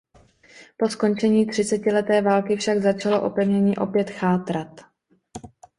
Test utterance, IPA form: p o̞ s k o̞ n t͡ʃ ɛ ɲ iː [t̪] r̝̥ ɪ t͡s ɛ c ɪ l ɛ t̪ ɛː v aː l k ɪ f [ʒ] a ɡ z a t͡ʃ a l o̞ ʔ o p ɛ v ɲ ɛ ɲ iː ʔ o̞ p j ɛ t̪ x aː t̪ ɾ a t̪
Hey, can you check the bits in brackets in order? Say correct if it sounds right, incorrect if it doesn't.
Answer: correct, incorrect

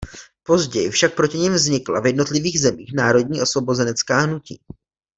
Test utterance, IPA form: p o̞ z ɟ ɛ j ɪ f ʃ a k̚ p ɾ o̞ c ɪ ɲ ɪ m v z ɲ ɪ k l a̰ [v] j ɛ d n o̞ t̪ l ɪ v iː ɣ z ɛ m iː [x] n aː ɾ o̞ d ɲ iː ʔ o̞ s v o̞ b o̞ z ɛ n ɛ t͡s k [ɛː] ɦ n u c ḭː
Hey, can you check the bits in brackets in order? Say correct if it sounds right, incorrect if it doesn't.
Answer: correct, correct, incorrect

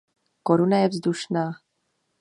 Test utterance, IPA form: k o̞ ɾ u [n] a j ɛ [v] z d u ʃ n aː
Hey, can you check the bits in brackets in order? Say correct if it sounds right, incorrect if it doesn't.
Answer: correct, correct

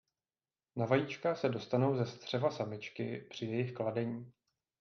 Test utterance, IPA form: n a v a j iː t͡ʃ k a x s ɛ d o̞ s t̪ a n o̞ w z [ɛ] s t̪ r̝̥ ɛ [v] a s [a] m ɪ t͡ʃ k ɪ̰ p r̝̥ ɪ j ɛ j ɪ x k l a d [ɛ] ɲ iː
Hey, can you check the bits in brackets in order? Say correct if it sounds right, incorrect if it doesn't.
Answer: correct, correct, correct, correct

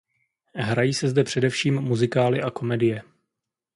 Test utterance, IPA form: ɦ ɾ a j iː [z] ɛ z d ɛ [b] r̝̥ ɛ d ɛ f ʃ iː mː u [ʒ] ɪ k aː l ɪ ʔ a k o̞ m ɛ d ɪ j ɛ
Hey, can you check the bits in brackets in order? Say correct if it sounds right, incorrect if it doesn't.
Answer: incorrect, incorrect, incorrect

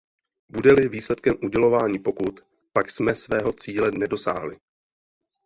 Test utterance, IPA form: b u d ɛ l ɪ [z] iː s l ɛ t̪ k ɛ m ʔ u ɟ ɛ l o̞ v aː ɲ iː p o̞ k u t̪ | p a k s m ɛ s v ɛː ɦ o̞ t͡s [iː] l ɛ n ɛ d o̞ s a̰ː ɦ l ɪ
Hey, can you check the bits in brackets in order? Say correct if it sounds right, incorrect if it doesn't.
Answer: incorrect, correct

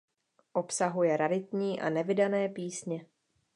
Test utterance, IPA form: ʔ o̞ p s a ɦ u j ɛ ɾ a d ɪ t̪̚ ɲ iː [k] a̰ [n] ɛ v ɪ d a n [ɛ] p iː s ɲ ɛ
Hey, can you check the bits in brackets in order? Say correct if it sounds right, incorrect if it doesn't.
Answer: incorrect, correct, incorrect

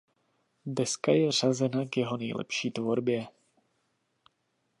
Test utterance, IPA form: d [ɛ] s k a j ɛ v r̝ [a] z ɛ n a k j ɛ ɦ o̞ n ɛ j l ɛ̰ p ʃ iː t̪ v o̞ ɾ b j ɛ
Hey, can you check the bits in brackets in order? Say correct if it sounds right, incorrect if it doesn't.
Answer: correct, correct

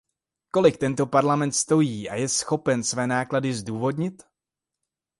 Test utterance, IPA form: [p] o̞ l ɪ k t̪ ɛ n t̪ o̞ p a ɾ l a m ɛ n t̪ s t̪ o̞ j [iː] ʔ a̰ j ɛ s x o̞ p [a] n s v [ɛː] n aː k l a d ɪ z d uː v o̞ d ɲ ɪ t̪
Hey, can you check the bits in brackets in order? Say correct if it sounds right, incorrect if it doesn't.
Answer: incorrect, correct, incorrect, correct

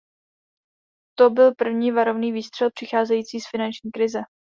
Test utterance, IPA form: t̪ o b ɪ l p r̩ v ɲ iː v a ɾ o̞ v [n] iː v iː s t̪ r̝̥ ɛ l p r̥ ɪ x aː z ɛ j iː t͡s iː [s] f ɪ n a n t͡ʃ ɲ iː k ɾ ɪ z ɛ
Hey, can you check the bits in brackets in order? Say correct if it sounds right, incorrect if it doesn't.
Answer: correct, correct

